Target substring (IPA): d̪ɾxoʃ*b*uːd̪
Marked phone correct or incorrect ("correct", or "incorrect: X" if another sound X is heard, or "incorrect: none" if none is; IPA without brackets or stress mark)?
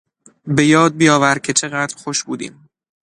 correct